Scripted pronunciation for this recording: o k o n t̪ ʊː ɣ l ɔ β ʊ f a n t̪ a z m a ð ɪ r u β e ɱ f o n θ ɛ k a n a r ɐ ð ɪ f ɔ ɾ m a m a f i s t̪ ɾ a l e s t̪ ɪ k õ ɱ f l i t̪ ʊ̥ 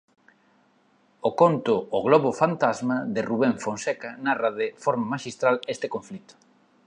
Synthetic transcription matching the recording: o k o n t̪ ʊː ɣ l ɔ β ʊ f a n t̪ a z m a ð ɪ r u β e ɱ f o n s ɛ k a n a r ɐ ð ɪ f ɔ ɾ m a m a ʃ i s t̪ ɾ a l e s t̪ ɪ k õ ɱ f l i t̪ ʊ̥